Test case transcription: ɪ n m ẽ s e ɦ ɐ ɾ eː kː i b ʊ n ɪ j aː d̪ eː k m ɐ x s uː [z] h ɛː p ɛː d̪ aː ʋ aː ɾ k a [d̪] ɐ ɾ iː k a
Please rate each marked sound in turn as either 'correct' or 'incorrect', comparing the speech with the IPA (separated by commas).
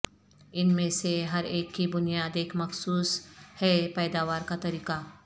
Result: incorrect, incorrect